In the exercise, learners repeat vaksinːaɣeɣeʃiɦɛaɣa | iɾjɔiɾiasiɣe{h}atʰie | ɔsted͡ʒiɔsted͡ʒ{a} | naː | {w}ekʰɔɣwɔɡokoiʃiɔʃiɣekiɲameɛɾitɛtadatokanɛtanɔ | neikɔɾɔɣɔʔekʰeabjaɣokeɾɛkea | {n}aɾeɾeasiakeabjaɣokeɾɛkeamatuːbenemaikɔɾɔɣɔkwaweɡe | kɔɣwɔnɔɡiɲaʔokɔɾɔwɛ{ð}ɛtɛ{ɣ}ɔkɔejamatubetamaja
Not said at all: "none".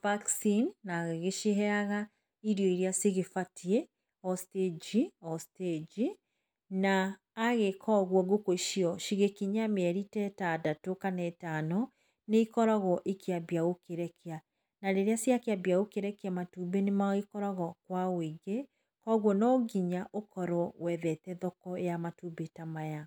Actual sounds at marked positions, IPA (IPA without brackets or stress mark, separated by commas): f, i, ɣ, n, ð, ð